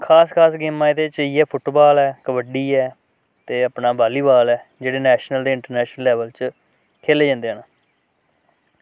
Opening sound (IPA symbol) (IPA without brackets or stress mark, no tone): kʰ